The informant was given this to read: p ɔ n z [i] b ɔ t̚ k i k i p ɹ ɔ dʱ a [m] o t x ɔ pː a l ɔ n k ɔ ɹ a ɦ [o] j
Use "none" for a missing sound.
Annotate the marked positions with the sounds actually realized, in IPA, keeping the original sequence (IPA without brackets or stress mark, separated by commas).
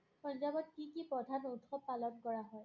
a, n, ɔ